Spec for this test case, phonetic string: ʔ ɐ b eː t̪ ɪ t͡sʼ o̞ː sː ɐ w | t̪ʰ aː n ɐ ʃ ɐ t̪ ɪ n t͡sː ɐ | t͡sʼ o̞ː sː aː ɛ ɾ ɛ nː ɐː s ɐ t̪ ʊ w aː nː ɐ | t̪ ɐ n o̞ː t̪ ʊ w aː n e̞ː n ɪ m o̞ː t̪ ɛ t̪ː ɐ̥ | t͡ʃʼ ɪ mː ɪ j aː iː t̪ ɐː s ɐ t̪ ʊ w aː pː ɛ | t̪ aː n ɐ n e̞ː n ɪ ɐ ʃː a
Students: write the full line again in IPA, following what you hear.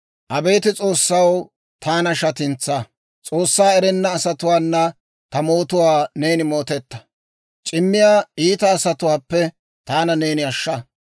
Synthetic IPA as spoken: ʔ ɐ b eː t̪ ɪ t͡sʼ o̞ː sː ɐ w | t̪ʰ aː n ɐ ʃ ɐ t̪ ɪ n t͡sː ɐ | t͡sʼ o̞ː sː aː ɛ ɾ ɛ nː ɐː s ɐ t̪ ʊ w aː nː ɐ | t̪ ɐ m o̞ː t̪ ʊ w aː n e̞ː n ɪ m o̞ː t̪ ɛ t̪ː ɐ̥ | t͡ʃʼ ɪ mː ɪ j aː iː t̪ ɐː s ɐ t̪ ʊ w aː pː ɛ | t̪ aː n ɐ n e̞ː n ɪ ɐ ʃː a